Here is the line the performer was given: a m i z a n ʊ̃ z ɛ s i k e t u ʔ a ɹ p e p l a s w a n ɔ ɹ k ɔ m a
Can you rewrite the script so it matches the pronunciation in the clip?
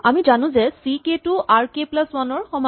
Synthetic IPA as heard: a m i z a n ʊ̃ z ɛ s i k e t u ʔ a ɹ k e p l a s w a n ɔ ɹ x ɔ m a